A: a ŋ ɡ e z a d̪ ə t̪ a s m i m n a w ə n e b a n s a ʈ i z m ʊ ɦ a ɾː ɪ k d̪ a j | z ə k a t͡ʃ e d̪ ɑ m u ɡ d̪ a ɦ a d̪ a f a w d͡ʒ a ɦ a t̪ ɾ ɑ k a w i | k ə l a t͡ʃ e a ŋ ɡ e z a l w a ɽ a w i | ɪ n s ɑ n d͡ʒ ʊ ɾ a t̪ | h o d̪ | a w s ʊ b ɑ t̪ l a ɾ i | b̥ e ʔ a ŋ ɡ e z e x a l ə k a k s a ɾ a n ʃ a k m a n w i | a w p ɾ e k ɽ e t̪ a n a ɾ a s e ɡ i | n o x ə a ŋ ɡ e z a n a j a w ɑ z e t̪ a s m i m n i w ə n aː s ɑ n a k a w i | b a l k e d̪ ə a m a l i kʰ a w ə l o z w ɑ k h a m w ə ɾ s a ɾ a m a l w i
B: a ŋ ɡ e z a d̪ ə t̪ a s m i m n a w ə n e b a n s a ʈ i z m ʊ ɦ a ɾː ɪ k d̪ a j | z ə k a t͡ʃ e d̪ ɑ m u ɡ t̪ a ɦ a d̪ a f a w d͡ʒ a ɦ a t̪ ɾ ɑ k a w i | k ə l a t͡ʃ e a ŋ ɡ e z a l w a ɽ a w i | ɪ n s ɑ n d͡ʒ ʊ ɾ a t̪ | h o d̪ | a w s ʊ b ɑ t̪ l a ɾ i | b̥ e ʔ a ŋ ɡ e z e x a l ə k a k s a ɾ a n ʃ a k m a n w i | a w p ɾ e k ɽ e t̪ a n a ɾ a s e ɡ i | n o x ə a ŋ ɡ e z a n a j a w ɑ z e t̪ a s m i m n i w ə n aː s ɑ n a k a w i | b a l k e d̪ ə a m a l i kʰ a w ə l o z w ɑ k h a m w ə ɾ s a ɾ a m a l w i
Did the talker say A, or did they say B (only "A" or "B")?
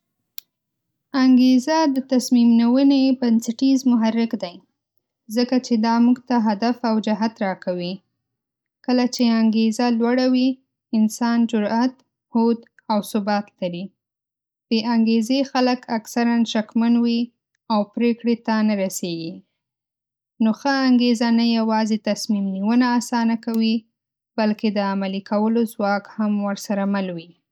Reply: B